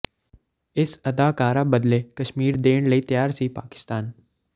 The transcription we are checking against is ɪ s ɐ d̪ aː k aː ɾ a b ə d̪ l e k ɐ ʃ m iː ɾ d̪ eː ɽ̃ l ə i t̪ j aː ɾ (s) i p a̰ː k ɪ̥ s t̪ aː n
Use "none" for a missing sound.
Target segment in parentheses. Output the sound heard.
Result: s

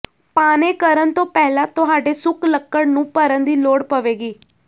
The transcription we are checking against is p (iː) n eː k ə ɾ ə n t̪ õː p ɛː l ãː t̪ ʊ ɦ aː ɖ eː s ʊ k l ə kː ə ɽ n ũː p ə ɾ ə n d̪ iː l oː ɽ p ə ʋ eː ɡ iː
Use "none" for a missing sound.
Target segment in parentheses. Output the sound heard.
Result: aː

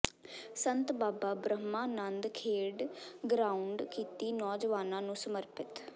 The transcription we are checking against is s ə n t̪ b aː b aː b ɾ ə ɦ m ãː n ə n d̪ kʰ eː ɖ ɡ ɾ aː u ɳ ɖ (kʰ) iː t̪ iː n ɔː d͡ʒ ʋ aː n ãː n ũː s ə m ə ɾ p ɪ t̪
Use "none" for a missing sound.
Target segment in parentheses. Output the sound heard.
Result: k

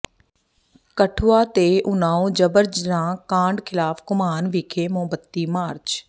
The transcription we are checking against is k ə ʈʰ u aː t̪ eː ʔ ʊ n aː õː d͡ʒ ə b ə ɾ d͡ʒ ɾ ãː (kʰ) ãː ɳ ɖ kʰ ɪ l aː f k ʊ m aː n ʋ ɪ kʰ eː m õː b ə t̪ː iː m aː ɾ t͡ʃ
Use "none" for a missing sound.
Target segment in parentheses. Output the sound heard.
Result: k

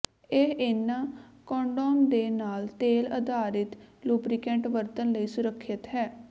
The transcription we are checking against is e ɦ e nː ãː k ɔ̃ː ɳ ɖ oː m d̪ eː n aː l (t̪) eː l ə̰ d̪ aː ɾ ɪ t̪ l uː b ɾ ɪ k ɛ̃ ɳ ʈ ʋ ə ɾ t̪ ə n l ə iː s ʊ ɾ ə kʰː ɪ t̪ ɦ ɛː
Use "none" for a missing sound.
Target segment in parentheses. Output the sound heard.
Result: t̪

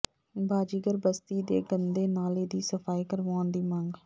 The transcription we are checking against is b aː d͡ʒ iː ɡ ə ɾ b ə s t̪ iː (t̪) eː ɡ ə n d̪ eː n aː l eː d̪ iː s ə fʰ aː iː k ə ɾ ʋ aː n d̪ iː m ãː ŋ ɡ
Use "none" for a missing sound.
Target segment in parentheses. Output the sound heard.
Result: d̪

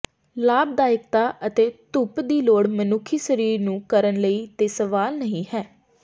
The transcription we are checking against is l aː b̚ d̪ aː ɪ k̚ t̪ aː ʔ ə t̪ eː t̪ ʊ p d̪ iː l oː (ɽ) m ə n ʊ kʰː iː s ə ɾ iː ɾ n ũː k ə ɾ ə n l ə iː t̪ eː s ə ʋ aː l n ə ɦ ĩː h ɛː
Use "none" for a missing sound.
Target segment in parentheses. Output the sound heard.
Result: ɽ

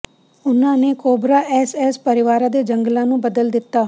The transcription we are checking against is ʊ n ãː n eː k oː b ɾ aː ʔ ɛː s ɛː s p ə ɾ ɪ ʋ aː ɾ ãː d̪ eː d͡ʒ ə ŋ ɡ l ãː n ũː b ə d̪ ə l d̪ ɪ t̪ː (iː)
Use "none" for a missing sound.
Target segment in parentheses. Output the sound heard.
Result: aː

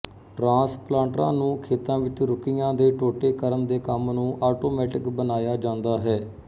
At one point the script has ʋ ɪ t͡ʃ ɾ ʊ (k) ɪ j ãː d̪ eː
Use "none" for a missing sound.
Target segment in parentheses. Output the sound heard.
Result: k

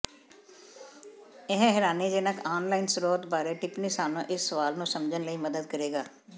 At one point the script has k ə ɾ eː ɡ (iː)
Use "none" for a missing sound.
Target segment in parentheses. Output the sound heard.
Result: aː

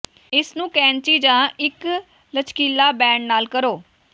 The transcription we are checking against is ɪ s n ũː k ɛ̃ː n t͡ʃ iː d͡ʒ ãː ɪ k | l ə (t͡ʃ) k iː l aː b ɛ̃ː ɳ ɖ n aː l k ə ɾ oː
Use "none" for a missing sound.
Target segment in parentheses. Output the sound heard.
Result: t͡ʃ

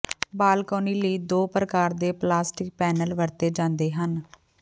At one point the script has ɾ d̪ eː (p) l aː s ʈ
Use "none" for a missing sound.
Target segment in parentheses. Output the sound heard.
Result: p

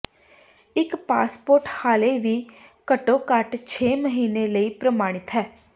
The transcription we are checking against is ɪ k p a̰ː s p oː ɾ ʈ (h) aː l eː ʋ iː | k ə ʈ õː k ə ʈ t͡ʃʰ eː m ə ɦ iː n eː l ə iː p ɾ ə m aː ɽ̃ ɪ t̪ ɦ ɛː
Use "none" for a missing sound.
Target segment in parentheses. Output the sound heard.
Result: h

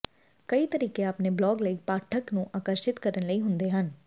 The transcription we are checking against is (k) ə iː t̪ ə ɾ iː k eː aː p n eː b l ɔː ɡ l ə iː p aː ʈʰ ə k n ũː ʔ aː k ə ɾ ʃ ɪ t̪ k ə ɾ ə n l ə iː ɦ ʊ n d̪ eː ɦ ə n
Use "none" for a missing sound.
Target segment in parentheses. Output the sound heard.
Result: k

